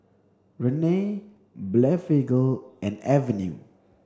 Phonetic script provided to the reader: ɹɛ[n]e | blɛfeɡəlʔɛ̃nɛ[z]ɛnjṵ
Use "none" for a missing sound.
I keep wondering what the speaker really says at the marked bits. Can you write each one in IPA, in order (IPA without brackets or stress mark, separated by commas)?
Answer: n, v